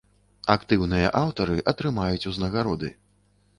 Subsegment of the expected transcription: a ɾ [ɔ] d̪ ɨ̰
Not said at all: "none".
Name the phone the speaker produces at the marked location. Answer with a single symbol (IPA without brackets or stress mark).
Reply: ɔ